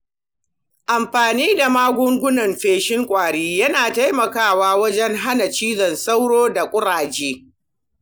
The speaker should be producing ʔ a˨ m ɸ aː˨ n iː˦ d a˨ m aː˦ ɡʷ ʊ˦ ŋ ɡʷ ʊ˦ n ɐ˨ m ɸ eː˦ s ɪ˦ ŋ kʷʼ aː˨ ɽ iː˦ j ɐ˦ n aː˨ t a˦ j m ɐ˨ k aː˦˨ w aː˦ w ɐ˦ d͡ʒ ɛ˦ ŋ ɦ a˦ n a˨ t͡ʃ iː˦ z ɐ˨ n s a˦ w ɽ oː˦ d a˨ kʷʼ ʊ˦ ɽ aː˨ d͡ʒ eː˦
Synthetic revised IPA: ʔ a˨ m ɸ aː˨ n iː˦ d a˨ m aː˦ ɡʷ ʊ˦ ŋ ɡʷ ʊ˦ n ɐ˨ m ɸ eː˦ ʃ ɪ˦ ŋ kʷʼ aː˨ ɽ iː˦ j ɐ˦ n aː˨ t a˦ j m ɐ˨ k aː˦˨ w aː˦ w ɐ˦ d͡ʒ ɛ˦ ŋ ɦ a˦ n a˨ t͡ʃ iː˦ z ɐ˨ n s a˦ w ɽ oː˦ d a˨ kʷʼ ʊ˦ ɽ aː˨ d͡ʒ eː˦